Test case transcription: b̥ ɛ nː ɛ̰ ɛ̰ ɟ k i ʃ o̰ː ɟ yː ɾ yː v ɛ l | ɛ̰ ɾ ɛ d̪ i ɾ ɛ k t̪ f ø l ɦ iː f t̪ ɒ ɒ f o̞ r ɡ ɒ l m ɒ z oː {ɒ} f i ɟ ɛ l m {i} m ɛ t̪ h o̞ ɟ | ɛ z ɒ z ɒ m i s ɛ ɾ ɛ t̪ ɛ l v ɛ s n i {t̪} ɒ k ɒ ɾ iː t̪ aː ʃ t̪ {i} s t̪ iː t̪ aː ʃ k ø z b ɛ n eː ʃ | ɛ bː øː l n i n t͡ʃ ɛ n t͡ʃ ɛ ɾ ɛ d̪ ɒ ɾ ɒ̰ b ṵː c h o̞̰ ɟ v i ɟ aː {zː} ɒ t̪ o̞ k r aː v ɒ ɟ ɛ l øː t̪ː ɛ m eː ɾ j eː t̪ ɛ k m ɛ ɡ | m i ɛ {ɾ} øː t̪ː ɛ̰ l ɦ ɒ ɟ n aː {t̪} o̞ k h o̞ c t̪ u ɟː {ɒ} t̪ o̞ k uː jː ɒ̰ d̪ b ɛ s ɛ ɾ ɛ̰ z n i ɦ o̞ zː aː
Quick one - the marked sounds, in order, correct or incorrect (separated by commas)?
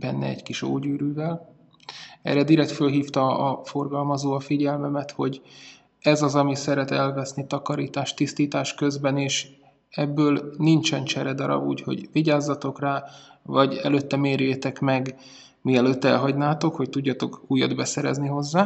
correct, incorrect, correct, correct, correct, incorrect, correct, correct